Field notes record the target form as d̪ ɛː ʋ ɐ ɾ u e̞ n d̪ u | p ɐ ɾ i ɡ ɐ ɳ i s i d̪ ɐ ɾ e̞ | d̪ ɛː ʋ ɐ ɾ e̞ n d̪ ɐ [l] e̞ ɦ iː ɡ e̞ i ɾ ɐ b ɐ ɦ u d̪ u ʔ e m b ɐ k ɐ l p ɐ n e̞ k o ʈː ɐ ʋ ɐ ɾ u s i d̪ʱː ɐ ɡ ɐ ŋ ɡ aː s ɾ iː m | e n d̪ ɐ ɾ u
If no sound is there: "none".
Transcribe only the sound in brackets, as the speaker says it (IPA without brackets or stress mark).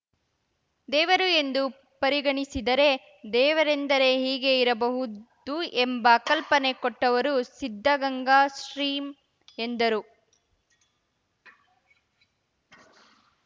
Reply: ɾ